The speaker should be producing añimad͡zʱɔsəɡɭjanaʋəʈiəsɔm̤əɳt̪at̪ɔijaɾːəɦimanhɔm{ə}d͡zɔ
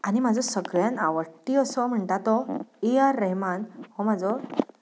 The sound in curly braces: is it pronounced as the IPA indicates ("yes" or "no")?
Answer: no